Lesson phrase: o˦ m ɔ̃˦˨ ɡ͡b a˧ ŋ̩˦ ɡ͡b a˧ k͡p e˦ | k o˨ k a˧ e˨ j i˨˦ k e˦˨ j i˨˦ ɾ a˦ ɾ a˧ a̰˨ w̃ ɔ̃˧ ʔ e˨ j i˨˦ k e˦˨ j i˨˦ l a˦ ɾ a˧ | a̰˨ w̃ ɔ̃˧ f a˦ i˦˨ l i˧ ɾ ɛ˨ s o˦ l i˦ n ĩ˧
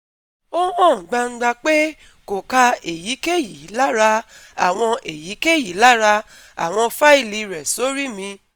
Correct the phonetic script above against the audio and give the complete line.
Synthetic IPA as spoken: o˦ m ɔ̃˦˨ ɡ͡b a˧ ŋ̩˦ ɡ͡b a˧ k͡p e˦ | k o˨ k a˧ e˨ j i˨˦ k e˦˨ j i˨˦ l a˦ ɾ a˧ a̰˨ w̃ ɔ̃˧ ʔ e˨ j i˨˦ k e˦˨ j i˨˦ l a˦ ɾ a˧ | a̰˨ w̃ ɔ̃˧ f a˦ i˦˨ l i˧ ɾ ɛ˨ s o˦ ɾ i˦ m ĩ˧

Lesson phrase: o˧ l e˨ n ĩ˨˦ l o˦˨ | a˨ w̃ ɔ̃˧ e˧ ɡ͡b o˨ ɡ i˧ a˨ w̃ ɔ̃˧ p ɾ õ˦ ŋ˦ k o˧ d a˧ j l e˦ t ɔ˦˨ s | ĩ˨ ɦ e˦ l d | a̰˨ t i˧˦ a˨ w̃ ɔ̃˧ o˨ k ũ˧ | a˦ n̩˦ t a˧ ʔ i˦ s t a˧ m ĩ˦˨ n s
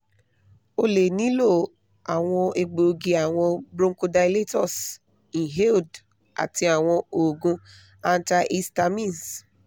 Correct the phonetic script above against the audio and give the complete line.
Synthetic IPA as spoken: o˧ l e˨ n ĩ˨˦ l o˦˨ | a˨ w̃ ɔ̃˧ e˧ ɡ͡b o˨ ɡ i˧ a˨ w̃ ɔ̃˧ b ɾ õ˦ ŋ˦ k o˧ d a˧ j l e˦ t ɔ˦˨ s | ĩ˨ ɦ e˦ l d | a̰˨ t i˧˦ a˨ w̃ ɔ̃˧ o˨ ɡ ũ˧ | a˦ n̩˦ t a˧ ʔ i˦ s t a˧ m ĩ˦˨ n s

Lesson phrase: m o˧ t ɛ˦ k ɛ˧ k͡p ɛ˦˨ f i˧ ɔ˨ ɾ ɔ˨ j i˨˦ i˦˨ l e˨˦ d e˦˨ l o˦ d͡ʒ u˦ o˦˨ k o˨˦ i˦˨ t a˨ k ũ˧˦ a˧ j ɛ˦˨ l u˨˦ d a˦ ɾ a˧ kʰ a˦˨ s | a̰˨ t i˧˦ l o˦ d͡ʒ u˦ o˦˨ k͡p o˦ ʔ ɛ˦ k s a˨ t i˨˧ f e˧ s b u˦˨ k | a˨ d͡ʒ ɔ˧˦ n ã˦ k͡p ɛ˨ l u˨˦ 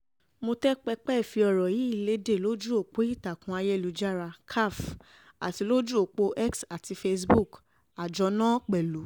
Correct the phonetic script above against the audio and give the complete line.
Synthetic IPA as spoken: m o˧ t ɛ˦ k͡p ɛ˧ k͡p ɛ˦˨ f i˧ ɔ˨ ɾ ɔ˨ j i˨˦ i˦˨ l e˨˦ d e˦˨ l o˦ d͡ʒ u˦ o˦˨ k͡p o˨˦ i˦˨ t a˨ k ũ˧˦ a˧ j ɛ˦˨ l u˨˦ d͡ʒ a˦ ɾ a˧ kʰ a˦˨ f | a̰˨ t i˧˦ l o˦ d͡ʒ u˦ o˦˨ k͡p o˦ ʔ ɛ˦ k s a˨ t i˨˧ f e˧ s b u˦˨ k | a˨ d͡ʒ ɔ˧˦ n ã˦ k͡p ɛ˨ l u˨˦

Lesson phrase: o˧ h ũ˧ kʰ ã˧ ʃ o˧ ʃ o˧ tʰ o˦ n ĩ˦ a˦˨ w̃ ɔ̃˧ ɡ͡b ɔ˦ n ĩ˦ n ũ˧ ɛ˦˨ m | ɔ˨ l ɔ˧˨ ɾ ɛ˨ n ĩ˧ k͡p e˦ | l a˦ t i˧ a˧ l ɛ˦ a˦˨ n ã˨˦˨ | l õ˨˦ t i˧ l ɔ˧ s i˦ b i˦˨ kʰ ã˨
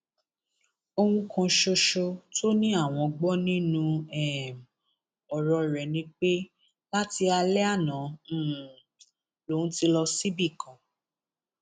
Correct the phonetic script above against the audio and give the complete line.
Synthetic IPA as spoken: o˧ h ũ˧ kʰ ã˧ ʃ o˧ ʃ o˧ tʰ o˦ n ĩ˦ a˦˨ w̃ ɔ̃˧ ɡ͡b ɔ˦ n ĩ˦ n ũ˧ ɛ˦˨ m | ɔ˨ ɾ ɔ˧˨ ɾ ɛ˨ n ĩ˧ k͡p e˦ | l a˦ t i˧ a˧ l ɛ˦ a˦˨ n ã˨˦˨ | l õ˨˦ t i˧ l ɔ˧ s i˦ b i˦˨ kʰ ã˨

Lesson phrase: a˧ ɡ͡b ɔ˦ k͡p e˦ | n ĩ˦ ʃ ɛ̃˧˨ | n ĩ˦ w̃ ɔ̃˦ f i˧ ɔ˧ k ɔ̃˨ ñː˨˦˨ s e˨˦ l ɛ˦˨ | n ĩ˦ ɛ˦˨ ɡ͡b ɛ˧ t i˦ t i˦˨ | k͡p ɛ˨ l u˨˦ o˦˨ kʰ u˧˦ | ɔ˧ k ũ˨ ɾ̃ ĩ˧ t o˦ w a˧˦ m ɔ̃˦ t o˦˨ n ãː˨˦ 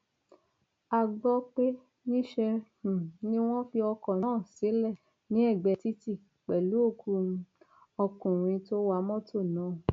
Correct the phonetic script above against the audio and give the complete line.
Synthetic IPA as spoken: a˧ ɡ͡b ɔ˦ k͡p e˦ | n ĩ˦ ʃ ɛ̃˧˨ | n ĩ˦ w̃ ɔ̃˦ f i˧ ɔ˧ k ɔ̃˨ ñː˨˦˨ s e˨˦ l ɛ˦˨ | n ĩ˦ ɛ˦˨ ɡ͡b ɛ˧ t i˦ t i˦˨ | k͡p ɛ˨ l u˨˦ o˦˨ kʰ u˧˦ | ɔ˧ k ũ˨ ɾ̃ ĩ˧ t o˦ w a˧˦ m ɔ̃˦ t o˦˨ n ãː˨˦

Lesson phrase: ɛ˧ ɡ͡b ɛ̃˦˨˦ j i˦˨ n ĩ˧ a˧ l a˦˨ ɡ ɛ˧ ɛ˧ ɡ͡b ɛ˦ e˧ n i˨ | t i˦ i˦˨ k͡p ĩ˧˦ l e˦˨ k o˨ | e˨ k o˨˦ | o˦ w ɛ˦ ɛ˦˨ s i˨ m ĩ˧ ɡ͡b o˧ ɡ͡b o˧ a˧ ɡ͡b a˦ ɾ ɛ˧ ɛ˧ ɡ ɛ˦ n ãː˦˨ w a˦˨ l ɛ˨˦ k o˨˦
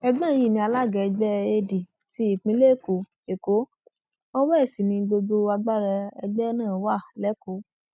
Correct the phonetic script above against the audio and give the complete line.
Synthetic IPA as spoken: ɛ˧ ɡ͡b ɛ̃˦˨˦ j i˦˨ n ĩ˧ a˧ l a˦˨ ɡ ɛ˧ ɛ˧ ɡ͡b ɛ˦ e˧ d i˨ | t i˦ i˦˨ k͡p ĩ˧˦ l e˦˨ k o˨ | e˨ k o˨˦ | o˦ w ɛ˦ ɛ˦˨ s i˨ n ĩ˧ ɡ͡b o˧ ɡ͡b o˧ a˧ ɡ͡b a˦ ɾ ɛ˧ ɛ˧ ɡ͡b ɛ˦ n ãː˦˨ w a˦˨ l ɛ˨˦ k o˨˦

